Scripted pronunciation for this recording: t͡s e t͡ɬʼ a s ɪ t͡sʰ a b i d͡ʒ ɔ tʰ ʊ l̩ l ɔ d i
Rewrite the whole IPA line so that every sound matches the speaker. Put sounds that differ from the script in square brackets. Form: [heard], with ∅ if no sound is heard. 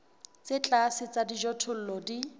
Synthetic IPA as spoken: t͡s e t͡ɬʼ a s ɪ [t͡s] a [d] i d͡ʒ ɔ tʰ ʊ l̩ l ɔ d i